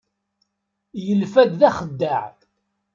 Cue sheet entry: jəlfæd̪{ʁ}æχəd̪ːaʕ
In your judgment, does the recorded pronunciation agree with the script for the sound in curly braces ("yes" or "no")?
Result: no